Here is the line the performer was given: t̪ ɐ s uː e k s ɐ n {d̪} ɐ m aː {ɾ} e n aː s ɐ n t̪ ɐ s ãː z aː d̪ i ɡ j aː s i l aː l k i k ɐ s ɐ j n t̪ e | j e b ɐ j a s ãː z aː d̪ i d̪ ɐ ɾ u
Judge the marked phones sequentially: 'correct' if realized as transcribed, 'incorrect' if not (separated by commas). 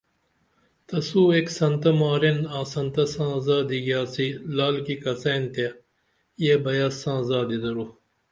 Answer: incorrect, correct